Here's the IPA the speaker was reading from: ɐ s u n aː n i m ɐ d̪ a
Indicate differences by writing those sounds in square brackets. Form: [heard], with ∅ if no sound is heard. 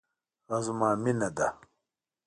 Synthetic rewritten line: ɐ [z] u [m] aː [m] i [n] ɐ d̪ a